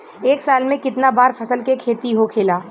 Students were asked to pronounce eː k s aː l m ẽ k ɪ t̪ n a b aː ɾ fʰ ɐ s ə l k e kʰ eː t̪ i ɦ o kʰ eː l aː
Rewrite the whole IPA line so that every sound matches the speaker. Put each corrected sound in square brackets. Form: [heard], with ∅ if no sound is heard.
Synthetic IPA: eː k s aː l m ẽ k ɪ t̪ n a b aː ɾ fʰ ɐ s ə l k e kʰ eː t̪ i ɦ o kʰ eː l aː

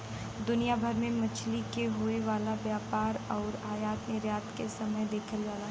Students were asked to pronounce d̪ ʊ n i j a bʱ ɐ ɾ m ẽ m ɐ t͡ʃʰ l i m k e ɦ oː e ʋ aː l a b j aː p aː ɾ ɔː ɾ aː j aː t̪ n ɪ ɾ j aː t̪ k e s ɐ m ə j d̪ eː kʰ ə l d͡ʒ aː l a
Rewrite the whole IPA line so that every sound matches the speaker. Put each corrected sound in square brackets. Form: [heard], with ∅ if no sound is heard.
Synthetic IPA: d̪ ʊ n i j a bʱ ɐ ɾ m ẽ m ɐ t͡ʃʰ l i [∅] k e ɦ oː e ʋ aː l a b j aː p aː ɾ ɔː ɾ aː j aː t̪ n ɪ ɾ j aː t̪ k e s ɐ m ə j d̪ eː kʰ ə l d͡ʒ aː l a

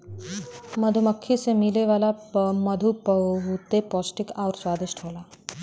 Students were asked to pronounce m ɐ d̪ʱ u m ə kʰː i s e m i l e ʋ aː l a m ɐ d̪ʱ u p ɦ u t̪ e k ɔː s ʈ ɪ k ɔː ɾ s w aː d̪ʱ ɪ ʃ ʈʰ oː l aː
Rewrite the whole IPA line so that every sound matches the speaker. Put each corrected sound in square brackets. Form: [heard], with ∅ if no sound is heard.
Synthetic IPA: m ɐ d̪ʱ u m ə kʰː i s e m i l e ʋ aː l a m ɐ d̪ʱ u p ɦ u t̪ e [p] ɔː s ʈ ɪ k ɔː ɾ s w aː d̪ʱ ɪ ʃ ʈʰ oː l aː

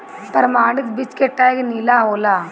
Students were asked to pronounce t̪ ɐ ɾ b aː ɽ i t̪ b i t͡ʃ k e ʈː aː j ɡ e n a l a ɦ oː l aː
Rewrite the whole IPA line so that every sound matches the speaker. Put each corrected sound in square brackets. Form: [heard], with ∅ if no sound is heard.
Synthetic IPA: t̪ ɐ ɾ [m] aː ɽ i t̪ b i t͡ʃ k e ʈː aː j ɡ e n [i] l a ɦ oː l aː

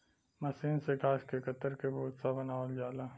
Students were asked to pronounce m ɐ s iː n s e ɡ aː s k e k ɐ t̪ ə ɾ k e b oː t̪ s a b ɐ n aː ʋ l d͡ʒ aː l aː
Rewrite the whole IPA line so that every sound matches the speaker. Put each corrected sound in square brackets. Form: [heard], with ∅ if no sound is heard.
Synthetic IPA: m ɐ s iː n s e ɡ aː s k e k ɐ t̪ ə ɾ k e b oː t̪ s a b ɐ n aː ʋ l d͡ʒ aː l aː

